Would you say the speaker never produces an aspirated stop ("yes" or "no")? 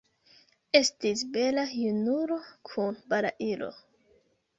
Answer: no